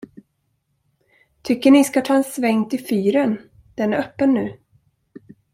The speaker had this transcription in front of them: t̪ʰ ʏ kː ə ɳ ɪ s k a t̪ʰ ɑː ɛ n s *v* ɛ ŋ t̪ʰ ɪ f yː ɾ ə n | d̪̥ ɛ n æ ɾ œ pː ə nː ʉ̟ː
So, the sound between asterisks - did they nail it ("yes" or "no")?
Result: yes